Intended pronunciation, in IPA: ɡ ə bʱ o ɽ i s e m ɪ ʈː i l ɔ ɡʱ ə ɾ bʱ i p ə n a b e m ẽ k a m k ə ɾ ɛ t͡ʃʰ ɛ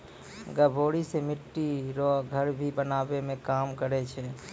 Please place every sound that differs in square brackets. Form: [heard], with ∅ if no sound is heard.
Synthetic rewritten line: ɡ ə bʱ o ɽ i s e m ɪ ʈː i [ɾ] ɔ ɡʱ ə ɾ bʱ i [b] ə n a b e m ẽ k a m k ə ɾ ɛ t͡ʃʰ ɛ